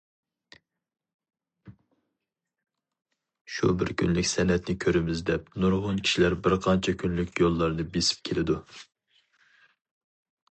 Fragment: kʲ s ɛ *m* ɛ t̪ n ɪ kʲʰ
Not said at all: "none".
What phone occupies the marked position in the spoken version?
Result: n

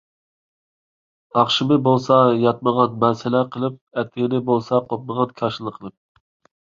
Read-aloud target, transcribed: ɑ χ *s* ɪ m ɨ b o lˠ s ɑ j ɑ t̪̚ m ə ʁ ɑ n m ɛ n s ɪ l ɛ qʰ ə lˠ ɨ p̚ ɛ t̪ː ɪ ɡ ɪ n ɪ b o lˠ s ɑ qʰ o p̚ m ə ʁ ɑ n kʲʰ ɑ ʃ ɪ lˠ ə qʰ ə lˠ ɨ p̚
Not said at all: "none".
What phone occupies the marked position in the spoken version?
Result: ʃ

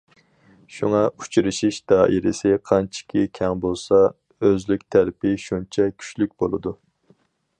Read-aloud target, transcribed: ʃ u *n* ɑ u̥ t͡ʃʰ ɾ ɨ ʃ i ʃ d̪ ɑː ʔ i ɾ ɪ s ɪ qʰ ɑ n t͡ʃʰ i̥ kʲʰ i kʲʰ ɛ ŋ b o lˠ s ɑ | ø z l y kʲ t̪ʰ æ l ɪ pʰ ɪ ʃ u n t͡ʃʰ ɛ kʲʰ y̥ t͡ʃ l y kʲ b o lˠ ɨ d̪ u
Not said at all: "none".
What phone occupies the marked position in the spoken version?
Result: ŋ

